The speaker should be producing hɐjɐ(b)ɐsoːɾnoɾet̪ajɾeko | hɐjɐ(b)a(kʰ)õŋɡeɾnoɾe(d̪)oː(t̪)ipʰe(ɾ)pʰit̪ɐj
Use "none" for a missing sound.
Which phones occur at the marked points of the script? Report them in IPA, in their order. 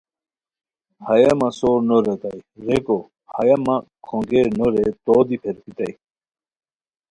m, m, kʰ, t̪, d̪, ɾ

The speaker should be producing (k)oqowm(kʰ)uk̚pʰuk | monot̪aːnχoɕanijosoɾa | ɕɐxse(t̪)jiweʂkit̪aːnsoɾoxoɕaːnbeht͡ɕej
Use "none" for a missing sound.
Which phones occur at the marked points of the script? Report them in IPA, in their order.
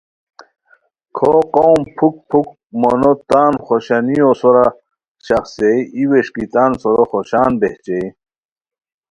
kʰ, pʰ, none

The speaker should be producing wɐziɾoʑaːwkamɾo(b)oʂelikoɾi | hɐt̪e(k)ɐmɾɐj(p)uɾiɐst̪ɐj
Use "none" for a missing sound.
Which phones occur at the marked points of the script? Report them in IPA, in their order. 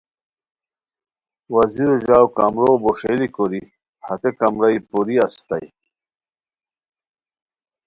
b, k, p

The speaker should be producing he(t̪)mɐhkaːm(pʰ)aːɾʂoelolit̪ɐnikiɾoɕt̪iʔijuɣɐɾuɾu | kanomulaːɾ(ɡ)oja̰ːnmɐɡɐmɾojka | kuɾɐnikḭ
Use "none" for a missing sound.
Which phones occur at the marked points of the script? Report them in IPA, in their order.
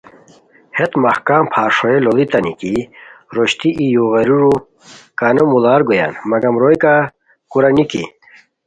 t̪, pʰ, ɡ

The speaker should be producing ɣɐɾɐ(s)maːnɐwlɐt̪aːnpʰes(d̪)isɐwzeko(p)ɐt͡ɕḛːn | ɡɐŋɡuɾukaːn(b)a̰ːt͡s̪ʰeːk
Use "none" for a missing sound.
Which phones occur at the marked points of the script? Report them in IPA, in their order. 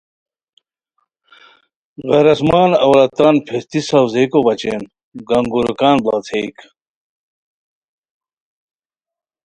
s, t̪, b, b

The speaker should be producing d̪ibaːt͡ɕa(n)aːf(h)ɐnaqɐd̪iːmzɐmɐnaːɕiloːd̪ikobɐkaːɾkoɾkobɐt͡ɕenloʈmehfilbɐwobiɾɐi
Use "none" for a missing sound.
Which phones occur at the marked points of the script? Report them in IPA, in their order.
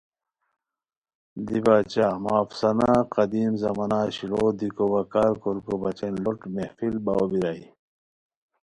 m, s

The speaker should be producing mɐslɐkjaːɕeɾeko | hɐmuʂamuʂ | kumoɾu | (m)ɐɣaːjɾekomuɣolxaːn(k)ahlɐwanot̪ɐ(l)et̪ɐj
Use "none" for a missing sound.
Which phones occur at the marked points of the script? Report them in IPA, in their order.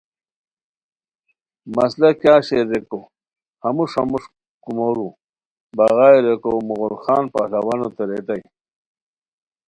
b, p, ɾ

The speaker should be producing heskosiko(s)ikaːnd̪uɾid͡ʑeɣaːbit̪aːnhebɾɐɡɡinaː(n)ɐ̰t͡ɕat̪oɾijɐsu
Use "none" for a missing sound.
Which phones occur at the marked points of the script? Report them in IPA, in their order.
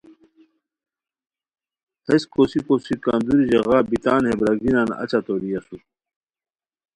s, n

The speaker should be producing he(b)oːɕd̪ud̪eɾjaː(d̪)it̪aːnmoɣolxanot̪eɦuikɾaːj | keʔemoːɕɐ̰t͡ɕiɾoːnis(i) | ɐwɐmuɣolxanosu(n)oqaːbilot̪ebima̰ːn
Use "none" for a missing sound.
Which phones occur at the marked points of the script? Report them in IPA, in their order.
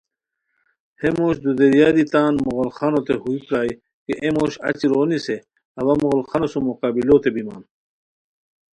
m, d̪, e, m

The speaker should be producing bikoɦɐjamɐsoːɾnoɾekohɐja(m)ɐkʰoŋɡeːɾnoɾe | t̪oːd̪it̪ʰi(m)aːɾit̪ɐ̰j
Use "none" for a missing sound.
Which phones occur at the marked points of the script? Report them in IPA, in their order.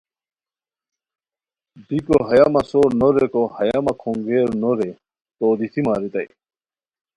m, m

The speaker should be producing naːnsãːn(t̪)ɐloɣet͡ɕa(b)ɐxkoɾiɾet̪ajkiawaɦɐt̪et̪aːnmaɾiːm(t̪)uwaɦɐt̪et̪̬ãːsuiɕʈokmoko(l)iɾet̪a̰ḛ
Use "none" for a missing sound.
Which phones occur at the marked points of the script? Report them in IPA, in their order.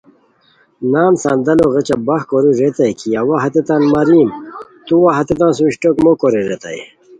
d̪, b, t̪, ɾ

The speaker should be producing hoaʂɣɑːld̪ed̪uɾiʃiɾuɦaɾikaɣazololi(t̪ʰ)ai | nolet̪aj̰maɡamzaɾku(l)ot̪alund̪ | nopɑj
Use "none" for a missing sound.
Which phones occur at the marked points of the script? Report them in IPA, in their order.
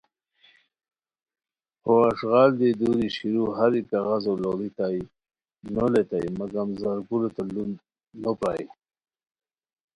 t̪, l

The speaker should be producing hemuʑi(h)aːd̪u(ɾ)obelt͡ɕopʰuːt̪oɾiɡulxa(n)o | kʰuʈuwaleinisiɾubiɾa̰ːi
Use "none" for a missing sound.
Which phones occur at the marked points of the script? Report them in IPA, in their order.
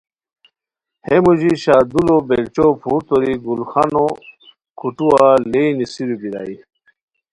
ɕ, l, n

